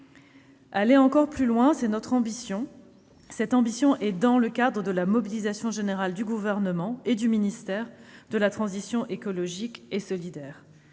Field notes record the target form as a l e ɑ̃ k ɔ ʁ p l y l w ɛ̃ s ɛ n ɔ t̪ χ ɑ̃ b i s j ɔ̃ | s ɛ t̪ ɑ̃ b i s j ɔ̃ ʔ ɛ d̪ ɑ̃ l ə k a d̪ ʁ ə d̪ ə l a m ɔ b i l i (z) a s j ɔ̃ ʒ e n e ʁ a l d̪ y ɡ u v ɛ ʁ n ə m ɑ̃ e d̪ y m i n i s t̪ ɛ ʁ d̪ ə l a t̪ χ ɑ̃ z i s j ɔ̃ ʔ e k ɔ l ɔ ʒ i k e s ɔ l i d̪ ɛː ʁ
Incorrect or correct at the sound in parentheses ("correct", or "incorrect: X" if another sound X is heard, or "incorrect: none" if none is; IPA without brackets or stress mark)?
correct